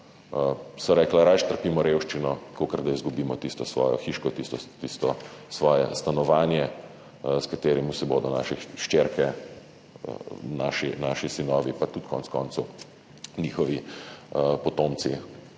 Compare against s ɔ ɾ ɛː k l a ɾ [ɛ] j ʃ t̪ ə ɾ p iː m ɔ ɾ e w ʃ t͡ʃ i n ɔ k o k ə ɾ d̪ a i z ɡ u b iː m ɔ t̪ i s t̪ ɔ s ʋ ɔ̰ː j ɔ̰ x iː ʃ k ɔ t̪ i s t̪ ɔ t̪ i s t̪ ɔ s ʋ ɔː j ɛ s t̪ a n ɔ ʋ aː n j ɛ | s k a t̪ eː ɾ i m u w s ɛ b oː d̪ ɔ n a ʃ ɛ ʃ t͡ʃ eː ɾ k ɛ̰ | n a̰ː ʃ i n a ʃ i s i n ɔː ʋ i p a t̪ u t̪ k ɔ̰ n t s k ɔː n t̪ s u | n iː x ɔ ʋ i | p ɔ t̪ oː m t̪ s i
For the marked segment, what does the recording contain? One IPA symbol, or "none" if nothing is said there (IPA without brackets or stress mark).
a